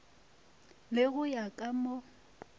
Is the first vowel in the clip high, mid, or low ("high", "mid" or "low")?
high